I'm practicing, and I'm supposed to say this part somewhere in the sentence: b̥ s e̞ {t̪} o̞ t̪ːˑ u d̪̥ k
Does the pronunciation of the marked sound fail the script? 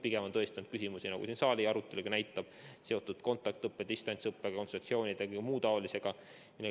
yes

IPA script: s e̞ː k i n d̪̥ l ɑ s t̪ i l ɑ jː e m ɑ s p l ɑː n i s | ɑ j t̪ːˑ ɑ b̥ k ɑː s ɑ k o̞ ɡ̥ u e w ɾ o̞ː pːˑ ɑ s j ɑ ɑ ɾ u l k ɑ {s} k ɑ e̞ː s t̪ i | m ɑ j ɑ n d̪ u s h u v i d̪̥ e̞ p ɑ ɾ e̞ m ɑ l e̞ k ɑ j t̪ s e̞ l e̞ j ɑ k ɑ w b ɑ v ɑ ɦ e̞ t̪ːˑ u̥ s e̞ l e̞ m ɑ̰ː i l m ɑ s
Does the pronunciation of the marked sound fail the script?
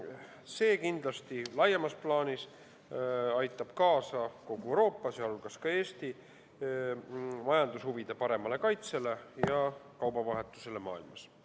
no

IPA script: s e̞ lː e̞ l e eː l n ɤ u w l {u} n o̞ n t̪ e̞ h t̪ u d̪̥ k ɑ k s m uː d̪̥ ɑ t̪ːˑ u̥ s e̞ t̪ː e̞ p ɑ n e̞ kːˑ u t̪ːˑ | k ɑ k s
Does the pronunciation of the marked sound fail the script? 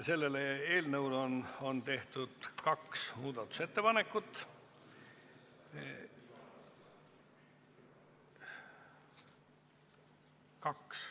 yes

